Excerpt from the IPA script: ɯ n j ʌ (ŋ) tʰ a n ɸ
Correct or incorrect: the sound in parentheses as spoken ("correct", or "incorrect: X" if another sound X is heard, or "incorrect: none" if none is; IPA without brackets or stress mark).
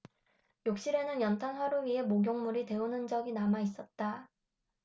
incorrect: n